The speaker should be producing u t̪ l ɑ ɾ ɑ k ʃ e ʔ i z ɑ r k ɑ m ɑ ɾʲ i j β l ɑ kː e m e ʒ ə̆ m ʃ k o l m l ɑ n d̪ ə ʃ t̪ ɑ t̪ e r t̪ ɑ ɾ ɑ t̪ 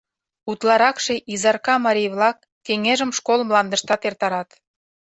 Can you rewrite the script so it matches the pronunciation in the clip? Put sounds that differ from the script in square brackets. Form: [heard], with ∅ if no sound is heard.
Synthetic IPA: u t̪ l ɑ ɾ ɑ k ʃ e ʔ i z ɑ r k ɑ m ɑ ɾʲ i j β l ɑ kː e [ŋ] e ʒ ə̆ m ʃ k o l m l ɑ n d̪ ə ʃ t̪ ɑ t̪ e r t̪ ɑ ɾ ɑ t̪